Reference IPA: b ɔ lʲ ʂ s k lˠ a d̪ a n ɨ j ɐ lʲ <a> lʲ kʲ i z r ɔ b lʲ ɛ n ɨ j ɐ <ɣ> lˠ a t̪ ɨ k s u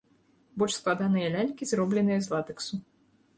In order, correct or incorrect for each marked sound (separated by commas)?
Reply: correct, incorrect